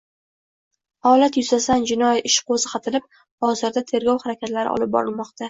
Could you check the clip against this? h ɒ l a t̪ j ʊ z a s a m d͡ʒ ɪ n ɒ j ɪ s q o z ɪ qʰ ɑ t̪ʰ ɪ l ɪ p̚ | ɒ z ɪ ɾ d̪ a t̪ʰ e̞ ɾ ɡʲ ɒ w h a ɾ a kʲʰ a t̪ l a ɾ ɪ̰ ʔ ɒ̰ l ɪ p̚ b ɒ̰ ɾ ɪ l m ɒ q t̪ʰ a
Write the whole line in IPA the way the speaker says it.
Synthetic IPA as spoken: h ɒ l a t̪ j ʊ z a s a n d͡ʒ ɪ n ɒ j ɪ ʃ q o z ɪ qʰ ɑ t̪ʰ ɪ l ɪ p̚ | ɒ z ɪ ɾ d̪ a t̪ʰ e̞ ɾ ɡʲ ɒ w h a ɾ a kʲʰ a t̪ l a ɾ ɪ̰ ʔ ɒ̰ l ɪ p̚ b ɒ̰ ɾ ɪ l m ɒ q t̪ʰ a